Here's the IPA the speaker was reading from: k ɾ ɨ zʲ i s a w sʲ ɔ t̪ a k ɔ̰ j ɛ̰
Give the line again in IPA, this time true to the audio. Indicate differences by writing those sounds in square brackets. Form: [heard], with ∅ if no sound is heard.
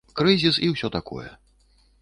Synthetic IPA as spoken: k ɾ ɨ zʲ i s [i] w sʲ ɔ t̪ a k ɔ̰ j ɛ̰